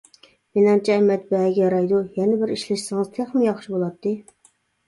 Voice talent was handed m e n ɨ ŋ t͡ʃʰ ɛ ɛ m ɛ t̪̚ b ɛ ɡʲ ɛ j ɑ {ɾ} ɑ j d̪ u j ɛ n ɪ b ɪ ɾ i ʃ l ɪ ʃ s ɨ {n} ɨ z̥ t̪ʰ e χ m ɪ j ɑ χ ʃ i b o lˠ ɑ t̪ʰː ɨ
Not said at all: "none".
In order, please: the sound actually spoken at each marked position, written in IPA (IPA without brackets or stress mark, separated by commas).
ɾ, ŋ